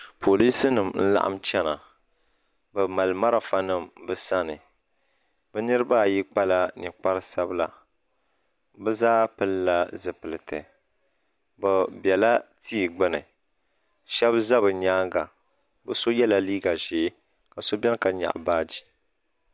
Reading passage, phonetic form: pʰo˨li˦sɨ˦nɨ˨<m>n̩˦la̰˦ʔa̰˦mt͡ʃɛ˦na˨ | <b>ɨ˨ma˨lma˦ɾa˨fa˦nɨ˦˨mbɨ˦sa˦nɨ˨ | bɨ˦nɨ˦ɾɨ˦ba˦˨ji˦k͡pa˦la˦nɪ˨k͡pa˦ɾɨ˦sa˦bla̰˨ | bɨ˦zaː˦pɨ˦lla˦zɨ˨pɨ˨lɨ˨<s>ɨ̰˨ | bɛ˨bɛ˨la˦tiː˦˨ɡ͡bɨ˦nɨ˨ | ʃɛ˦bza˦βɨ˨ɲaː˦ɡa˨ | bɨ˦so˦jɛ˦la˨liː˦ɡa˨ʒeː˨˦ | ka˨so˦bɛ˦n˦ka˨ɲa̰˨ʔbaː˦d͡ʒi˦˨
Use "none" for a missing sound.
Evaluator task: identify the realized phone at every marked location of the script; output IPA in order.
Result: m, b, t

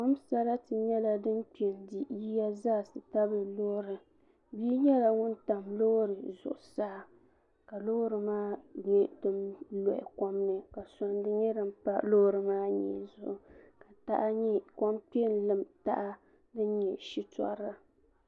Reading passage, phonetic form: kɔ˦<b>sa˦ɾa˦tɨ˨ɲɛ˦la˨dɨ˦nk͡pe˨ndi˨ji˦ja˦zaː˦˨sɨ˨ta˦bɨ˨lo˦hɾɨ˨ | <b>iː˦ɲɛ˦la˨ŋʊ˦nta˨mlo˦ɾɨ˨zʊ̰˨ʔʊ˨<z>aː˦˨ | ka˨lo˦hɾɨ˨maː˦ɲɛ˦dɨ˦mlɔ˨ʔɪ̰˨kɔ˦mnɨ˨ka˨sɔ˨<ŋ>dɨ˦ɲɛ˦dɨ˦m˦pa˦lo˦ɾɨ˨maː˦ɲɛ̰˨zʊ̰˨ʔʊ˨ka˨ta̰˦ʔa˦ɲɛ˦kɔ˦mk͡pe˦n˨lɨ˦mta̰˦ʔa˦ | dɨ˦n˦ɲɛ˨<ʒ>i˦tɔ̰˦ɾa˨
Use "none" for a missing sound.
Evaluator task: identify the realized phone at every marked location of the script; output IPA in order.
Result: m, b, s, n, ʃ

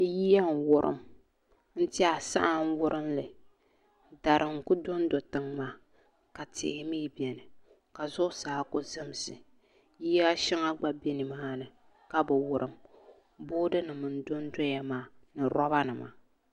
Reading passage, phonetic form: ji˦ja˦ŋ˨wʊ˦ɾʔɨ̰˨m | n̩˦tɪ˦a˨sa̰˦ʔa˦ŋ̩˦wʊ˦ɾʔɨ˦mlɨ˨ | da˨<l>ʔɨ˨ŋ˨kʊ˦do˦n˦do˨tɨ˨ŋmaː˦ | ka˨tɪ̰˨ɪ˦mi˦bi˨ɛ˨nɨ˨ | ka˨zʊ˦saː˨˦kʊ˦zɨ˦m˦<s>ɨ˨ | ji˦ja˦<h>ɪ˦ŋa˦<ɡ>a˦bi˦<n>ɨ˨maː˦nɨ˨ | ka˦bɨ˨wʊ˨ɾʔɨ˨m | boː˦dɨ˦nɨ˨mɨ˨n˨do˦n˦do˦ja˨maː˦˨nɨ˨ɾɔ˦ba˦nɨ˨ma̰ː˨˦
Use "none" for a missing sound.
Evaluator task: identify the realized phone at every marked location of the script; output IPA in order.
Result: ɾ, s, ʃ, ɡ͡b, n

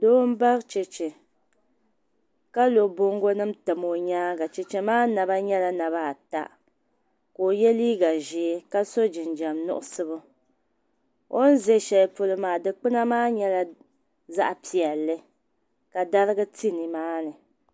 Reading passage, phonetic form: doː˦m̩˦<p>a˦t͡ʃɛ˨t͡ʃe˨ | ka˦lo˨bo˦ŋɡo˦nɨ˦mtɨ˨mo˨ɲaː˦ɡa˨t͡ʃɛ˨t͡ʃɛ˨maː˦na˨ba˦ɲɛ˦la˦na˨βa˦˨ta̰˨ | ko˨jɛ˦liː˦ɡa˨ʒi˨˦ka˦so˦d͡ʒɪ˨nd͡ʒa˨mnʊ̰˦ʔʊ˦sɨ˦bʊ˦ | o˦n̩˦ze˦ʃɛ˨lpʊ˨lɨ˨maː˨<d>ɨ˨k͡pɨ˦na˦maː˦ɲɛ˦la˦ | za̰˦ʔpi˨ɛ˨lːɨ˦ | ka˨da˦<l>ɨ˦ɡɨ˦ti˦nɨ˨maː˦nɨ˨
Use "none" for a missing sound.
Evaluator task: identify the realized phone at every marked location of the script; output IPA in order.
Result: b, d, ɾ

